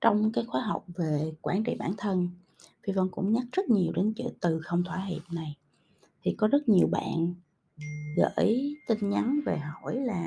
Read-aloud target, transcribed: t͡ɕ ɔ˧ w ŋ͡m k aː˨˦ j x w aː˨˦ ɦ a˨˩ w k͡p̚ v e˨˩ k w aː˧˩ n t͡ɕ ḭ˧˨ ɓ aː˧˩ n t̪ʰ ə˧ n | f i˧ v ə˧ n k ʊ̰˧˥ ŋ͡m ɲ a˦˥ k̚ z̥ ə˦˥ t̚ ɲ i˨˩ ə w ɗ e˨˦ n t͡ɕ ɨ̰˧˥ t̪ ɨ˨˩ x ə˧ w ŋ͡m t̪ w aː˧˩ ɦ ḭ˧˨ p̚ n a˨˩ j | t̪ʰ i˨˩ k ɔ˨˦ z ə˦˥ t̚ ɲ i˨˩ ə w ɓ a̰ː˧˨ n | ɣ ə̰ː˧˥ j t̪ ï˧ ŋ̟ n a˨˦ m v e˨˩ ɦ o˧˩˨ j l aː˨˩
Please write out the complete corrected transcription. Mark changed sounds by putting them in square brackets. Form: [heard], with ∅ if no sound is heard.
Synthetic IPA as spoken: t͡ɕ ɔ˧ w ŋ͡m k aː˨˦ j x w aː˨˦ ɦ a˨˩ w k͡p̚ v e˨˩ k w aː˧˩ n t͡ɕ ḭ˧˨ ɓ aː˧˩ n t̪ʰ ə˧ n | f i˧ v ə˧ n k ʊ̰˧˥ ŋ͡m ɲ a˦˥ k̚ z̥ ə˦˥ t̚ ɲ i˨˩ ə w ɗ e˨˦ n t͡ɕ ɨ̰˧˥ t̪ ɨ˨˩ x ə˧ w ŋ͡m [t̪ʰ] w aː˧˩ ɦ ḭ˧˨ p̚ n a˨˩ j | t̪ʰ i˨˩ k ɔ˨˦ z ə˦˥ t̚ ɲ i˨˩ ə w ɓ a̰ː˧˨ n | ɣ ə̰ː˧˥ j t̪ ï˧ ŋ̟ [ɲ] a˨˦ [n] v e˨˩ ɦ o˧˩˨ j l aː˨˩